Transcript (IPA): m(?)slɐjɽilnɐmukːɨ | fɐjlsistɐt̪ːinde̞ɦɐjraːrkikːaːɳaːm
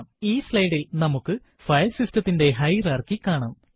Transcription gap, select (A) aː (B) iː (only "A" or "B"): B